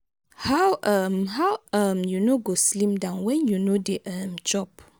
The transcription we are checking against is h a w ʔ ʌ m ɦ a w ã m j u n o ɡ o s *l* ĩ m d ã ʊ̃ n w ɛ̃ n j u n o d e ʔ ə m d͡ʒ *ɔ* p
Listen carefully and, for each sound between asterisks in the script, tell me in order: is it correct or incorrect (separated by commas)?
correct, correct